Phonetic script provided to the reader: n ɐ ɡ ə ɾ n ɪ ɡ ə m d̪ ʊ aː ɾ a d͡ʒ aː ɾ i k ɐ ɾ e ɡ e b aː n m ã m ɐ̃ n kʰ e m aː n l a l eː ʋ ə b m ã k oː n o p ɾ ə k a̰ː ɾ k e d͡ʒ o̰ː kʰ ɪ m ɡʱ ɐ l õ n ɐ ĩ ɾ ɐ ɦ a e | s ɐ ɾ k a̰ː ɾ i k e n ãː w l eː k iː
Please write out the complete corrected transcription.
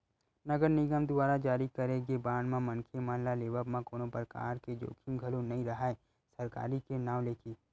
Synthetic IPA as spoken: n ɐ ɡ ə ɾ n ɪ ɡ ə m d̪ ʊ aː ɾ a d͡ʒ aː ɾ i k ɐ ɾ e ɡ e b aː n m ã m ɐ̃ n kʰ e m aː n l a l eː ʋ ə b m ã k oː n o p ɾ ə k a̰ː ɾ k e d͡ʒ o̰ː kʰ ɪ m ɡʱ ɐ l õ n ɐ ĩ ɾ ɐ ɦ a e | s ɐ ɾ k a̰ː ɾ i k e n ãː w l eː k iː

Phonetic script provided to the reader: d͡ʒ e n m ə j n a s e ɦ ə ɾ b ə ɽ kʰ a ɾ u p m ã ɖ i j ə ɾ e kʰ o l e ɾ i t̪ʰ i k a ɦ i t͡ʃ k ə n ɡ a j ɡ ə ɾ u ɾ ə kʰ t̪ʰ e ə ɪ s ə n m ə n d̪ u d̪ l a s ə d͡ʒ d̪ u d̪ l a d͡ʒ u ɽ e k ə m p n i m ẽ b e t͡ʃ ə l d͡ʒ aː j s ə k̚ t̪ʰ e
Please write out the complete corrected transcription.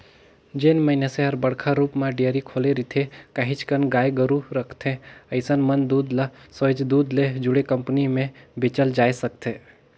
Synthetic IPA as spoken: d͡ʒ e n m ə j n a s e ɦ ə ɾ b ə ɽ kʰ a ɾ u p m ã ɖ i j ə ɾ i kʰ o l e ɾ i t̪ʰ e k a ɦ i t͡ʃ k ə n ɡ a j ɡ ə ɾ u ɾ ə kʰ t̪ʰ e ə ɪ s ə n m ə n d̪ u d̪ l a s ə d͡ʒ d̪ u d̪ l e d͡ʒ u ɽ e k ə m p n i m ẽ b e t͡ʃ ə l d͡ʒ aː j s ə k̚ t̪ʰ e

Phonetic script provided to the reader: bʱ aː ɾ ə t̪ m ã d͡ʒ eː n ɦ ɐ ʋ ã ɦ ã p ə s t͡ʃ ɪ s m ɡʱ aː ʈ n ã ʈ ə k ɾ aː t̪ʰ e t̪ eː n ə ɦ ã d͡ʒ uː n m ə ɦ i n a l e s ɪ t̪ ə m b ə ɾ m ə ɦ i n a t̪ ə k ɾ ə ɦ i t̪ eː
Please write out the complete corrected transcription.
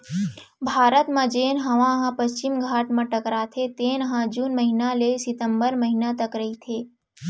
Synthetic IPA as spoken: bʱ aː ɾ ə t̪ m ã d͡ʒ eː n ɦ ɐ ʋ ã ɦ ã p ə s t͡ʃ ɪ m ɡʱ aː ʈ m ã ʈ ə k ɾ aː t̪ʰ e t̪ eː n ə ɦ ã d͡ʒ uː n m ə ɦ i n a l e s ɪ t̪ ə m b ə ɾ m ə ɦ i n a t̪ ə k ɾ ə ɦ i t̪ʰ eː

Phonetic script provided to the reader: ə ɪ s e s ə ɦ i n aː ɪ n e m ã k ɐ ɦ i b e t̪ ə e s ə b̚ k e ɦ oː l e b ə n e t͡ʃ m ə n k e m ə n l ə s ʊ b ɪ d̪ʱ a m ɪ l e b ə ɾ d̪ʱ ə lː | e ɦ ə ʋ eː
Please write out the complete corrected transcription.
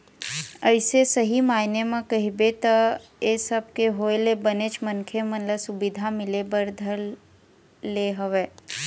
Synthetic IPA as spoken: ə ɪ s e s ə ɦ i m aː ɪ n e m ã k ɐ ɦ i b e t̪ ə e s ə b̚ k e ɦ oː l e b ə n e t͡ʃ m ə n kʰ e m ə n l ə s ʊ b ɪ d̪ʱ a m ɪ l e b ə ɾ d̪ʱ ə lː | e ɦ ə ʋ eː

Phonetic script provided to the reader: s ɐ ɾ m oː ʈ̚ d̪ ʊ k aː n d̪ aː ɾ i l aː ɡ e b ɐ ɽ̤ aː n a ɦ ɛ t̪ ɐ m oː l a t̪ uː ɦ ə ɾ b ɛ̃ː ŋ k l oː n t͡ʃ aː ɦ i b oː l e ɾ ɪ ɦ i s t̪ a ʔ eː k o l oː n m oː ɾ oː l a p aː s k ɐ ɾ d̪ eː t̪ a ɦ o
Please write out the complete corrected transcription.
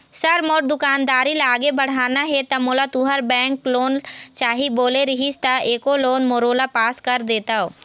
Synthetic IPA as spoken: s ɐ ɾ m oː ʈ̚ d̪ ʊ k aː n d̪ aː ɾ i l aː ɡ e b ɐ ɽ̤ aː n a ɦ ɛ t̪ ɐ m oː l a t̪ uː ɦ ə ɾ b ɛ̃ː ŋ k l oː n t͡ʃ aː ɦ i b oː l e ɾ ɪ ɦ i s t̪ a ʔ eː k o l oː n m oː ɾ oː l a p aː s k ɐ ɾ d̪ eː t̪ a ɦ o

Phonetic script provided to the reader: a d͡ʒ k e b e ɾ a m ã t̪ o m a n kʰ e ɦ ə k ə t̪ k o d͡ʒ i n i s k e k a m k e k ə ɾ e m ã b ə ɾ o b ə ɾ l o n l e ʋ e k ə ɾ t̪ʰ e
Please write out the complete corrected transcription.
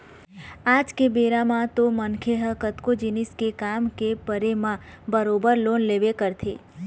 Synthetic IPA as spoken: a d͡ʒ k e b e ɾ a m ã t̪ o m ə n kʰ e ɦ ə k ə t̪ k o d͡ʒ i n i s k e k a m k e p ə ɾ e m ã b ə ɾ o b ə ɾ l o n l e ʋ e k ə ɾ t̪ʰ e

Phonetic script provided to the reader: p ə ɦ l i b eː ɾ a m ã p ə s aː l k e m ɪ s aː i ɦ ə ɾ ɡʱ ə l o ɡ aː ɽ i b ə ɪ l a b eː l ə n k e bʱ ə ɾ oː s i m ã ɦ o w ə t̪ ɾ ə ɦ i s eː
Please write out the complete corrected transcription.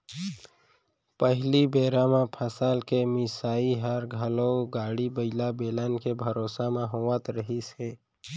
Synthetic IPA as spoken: p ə ɦ l i b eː ɾ a m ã pʰ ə s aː l k e m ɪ s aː i ɦ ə ɾ ɡʱ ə l o ɡ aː ɽ i b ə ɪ l a b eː l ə n k e bʱ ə ɾ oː s a m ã ɦ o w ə t̪ ɾ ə ɦ i s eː

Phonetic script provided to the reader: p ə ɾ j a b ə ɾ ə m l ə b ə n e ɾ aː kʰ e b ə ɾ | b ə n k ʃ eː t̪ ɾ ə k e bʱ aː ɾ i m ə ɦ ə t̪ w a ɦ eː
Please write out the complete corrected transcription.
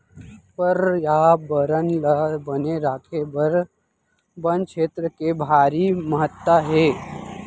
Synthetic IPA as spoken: p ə ɾ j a b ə ɾ ə n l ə b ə n e ɾ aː kʰ e b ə ɾ | b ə n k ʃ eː t̪ ɾ ə k e bʱ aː ɾ i m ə ɦ ə t̪ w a ɦ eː

